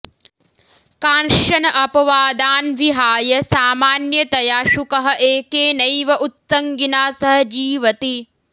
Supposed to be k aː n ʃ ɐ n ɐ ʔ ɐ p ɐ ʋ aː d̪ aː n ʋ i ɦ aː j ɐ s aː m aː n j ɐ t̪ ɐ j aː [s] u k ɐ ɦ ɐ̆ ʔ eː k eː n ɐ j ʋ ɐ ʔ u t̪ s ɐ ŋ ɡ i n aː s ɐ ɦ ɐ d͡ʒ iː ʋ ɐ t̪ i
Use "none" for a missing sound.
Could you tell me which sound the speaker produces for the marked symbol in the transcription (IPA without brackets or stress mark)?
ʃ